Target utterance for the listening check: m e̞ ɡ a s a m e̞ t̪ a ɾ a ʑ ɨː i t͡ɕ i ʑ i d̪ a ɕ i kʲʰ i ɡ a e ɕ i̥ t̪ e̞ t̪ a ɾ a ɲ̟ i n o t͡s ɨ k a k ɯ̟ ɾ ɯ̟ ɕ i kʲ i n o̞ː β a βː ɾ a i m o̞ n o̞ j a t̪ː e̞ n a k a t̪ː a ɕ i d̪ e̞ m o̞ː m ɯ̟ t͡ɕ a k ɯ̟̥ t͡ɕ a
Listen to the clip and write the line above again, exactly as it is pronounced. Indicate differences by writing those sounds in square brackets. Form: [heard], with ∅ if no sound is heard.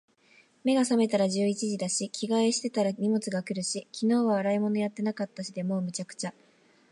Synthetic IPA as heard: m e̞ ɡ a s a m e̞ t̪ a ɾ a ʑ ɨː i t͡ɕ i ʑ i d̪ a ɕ i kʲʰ i ɡ a e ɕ i̥ t̪ e̞ t̪ a ɾ a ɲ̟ i [m] o t͡s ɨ [ɡ] a k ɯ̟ ɾ ɯ̟ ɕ i kʲ i n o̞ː β a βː ɾ a i m o̞ n o̞ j a t̪ː e̞ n a k a t̪ː a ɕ i d̪ e̞ m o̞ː m ɯ̟ t͡ɕ a k ɯ̟̥ t͡ɕ a